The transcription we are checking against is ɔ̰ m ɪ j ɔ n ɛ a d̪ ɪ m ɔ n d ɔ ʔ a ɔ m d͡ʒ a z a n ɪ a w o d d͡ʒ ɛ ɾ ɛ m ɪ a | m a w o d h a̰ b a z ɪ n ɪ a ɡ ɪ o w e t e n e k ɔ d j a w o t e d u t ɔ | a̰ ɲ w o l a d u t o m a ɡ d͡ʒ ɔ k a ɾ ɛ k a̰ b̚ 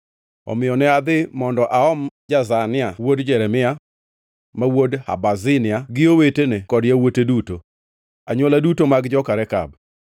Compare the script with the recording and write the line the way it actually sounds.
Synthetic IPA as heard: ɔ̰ m ɪ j ɔ n ɛ a d̪ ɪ m ɔ n d ɔ ʔ a ɔ m d͡ʒ a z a n ɪ a w o d d͡ʒ ɛ ɾ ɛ m ɪ a | m a w o d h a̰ b a z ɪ n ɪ a ɡ ɪ o w e t e n e k ɔ d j a w o t e d u t o | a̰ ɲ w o l a d u t o m a ɡ d͡ʒ ɔ k a ɾ ɛ k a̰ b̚